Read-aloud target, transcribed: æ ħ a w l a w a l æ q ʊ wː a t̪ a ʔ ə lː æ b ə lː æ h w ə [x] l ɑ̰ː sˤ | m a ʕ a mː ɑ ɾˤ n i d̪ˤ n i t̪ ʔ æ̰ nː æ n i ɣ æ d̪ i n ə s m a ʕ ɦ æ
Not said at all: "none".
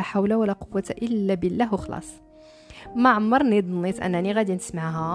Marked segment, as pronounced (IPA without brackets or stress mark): x